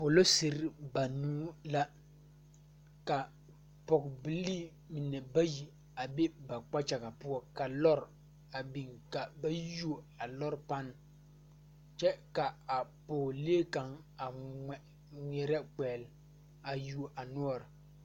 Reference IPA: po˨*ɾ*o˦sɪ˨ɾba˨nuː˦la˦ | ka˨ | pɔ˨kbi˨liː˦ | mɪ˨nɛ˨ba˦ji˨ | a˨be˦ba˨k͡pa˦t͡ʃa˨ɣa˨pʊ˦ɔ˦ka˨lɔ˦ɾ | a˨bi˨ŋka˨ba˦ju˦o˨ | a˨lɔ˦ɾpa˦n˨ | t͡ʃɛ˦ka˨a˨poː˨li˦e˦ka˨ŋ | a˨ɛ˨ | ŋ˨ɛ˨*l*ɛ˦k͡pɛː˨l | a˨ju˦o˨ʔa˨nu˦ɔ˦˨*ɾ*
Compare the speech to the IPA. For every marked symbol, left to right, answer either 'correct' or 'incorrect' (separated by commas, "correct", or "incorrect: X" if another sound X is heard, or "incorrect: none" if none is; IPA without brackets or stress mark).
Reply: incorrect: l, incorrect: ɾ, correct